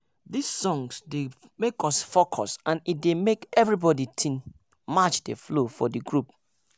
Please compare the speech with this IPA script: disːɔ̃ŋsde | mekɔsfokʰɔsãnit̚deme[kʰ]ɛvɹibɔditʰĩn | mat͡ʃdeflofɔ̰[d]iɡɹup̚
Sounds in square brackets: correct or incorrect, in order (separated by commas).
incorrect, correct